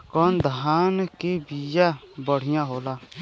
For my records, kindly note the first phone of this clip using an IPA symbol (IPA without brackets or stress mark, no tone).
k